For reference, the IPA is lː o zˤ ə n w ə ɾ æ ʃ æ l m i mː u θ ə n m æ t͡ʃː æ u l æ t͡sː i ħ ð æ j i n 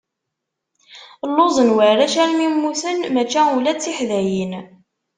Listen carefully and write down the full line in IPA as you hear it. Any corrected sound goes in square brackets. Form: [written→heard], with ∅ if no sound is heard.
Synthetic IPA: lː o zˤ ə n w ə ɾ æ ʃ æ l m i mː u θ ə n m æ t͡ʃː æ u l æ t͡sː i ħ ð æ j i n